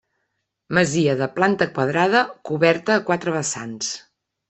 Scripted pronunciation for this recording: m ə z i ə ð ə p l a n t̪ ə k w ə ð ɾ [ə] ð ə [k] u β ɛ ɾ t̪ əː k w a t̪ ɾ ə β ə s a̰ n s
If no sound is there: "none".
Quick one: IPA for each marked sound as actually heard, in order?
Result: a, k

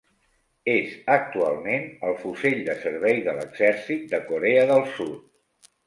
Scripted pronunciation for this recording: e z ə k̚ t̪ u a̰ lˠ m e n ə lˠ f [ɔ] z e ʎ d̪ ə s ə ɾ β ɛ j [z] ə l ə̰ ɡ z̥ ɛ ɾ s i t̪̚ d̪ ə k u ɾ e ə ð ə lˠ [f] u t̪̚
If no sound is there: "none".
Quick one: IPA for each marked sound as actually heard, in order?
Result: u, ð, s

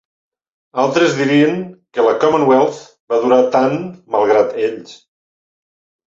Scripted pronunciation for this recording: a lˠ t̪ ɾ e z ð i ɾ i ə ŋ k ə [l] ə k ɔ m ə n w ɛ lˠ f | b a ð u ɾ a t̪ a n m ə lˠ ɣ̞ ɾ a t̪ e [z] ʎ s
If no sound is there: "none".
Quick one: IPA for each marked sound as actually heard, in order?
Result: l, none

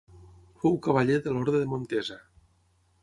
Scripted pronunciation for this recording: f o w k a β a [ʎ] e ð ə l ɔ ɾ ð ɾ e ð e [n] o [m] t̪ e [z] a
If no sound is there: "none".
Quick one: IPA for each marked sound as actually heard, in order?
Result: ʎ, m, n, z

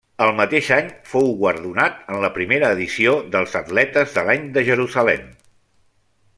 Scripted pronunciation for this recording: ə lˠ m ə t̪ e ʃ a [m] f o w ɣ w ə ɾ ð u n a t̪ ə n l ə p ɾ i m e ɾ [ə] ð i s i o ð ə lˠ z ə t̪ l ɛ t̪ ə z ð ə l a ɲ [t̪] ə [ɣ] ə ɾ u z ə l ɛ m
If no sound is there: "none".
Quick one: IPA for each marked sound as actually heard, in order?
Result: ɲ, əː, d̪, ʒ

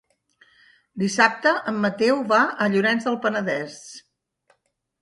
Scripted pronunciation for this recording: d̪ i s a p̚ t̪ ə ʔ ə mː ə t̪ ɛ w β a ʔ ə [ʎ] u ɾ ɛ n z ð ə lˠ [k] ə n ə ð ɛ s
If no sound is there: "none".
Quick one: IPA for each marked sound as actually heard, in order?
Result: ʎ, p

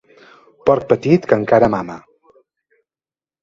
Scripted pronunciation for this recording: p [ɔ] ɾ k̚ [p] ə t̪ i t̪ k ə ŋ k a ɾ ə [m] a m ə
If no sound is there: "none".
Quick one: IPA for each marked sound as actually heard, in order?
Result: ɔ, p, m

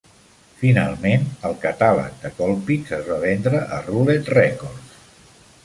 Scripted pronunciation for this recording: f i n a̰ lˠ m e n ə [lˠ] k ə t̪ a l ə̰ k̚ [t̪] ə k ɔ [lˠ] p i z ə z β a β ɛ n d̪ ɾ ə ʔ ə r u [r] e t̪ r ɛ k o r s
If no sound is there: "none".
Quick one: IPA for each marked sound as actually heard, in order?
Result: lˠ, d̪, lˠ, l

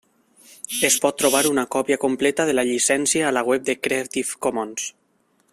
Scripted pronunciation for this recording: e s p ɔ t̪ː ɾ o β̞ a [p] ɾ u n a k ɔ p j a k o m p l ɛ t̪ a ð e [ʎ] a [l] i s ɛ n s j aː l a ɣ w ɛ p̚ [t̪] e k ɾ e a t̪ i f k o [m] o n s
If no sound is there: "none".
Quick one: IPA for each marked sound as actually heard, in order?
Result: none, l, ʎ, d̪, m

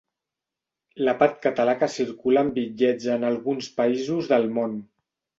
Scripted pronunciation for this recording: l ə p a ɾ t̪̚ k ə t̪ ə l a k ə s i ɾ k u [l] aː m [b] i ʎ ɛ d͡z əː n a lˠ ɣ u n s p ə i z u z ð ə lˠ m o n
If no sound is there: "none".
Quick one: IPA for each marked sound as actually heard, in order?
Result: l, b

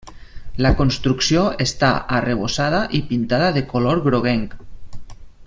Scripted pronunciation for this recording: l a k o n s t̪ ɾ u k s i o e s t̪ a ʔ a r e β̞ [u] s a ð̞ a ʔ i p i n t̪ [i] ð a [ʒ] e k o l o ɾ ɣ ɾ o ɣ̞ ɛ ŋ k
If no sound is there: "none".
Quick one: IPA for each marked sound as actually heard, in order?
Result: o, a, ð

